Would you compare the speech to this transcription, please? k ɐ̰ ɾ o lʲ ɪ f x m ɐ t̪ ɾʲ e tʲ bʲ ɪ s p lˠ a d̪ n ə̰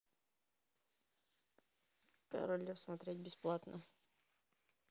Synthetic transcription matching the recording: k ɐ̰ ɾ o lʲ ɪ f s m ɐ t̪ ɾʲ e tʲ bʲ ɪ s p lˠ a t̪ n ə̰